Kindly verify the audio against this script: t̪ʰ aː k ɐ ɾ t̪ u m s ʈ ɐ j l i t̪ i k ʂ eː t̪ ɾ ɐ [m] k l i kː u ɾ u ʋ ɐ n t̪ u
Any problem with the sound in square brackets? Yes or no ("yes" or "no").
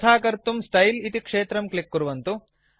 no